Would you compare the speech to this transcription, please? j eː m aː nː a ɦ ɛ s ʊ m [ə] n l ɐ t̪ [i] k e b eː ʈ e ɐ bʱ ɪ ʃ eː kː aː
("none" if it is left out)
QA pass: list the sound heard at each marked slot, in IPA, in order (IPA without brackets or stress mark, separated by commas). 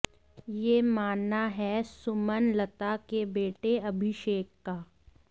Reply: ə, a